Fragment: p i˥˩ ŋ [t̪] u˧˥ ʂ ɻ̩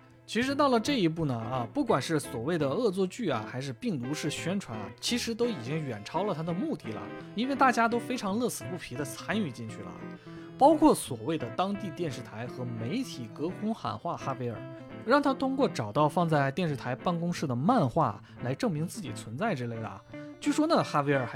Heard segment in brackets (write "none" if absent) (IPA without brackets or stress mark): t̪